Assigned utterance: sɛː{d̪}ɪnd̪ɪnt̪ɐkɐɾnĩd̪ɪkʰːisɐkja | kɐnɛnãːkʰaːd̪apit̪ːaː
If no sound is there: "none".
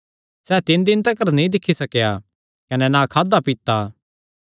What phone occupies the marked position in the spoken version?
t̪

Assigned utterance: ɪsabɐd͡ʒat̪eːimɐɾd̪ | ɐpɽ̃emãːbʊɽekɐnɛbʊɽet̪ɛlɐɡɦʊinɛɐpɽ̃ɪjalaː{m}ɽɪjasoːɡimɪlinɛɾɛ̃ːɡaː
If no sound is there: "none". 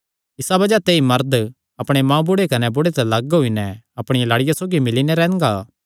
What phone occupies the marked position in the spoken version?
none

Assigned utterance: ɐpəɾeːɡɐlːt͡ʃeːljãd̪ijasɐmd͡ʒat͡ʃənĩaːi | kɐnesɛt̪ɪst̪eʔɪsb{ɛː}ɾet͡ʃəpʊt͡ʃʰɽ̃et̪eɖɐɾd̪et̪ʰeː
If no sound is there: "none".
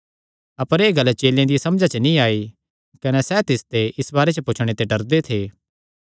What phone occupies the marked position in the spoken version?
aː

